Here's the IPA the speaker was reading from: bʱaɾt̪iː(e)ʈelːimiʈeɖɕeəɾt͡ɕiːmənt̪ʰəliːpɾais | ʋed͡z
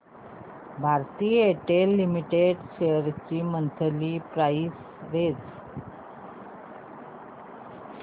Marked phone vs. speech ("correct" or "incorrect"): correct